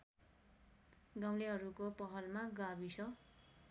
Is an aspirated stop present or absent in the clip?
absent